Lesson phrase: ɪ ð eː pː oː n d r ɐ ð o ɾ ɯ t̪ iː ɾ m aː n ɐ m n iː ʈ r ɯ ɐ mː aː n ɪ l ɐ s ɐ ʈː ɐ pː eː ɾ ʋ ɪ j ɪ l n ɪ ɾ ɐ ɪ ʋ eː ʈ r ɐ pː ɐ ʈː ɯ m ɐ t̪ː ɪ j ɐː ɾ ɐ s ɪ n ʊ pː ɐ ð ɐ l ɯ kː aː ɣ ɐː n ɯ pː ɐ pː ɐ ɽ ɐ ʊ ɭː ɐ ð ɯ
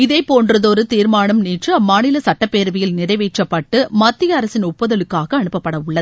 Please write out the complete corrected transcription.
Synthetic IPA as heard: ɪ ð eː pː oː n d r ɐ ð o ɾ ɯ t̪ iː ɾ m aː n ɐ m n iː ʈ r ɯ ɐ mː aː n ɪ l ɐ s ɐ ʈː ɐ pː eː ɾ ʋ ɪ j ɪ l n ɪ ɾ ɐ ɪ ʋ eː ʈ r ɐ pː ɐ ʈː ɯ m ɐ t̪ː ɪ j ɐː ɾ ɐ s ɪ n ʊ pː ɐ ð ɐ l ɯ kː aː ɣ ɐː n ɯ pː ɐ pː ɐ ɽ ɐ ʊ ɭː ɐ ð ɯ